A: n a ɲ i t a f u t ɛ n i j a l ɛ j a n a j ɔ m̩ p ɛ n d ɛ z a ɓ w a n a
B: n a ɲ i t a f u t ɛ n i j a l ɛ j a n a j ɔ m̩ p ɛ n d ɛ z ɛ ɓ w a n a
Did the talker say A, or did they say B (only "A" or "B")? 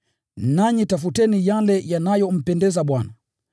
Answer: A